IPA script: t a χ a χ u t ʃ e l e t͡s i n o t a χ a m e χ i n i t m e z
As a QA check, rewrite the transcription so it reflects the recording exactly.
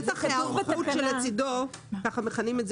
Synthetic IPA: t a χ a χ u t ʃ e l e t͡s i d o k a χ a m e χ a n i m e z